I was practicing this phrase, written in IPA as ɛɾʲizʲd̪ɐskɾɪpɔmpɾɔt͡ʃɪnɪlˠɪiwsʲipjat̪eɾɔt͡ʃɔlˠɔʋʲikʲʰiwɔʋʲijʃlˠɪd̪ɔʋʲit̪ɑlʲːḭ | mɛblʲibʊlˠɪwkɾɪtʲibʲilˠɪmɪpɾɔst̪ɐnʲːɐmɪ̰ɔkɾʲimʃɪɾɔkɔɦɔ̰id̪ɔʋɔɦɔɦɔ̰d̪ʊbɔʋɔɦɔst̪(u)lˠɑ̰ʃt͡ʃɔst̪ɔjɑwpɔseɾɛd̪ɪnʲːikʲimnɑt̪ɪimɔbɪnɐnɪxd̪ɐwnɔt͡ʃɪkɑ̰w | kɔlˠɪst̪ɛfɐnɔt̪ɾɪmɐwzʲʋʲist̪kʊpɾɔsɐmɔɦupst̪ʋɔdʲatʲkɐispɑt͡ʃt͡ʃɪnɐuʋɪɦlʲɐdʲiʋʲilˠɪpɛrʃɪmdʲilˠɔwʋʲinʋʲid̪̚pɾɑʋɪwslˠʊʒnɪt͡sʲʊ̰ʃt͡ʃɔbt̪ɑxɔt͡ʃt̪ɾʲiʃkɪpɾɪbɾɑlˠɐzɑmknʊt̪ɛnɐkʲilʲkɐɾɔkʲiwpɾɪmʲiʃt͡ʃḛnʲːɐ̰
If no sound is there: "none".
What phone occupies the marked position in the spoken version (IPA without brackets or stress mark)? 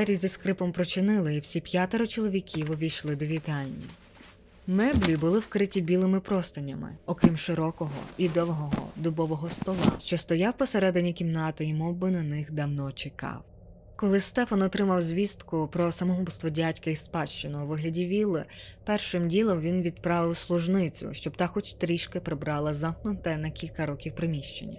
ɔ